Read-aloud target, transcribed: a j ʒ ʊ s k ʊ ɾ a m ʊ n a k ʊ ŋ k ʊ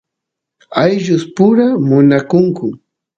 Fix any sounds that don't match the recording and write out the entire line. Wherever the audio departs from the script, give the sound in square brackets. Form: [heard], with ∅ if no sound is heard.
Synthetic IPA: a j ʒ ʊ s [p] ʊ ɾ a m ʊ n a k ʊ ŋ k ʊ

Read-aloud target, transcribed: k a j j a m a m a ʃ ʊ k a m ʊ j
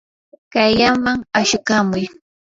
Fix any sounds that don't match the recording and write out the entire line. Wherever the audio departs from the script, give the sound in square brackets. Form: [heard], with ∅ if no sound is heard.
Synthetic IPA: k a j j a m a [ŋ] a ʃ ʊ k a m ʊ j

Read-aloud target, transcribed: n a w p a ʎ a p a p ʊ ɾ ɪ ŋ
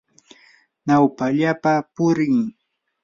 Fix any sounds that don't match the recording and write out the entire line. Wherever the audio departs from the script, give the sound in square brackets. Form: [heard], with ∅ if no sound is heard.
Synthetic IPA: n a w p a ʎ a p a p ʊ ɾ ɪ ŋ

